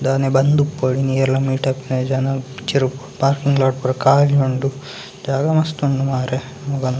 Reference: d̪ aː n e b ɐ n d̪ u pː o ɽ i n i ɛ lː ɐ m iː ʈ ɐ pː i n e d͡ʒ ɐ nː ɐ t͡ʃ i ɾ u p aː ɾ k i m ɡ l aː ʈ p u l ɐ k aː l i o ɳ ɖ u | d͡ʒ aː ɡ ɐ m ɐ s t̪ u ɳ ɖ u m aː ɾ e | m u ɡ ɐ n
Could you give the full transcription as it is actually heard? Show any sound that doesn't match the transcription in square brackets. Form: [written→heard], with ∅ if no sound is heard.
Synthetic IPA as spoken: d̪ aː n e b ɐ n d̪ u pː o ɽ i n i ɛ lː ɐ m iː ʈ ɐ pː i n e d͡ʒ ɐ [nː→n] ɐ t͡ʃ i ɾ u p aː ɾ k i [m→ŋ] ɡ l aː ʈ p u [l→ɾ] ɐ k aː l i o ɳ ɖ u | d͡ʒ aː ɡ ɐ m ɐ s t̪ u ɳ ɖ u m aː ɾ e | m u ɡ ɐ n